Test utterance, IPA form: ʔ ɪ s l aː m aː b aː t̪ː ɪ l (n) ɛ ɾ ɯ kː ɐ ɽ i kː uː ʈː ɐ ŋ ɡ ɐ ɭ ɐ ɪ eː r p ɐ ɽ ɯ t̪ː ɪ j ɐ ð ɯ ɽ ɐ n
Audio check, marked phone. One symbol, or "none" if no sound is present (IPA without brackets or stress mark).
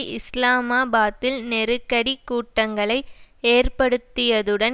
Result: n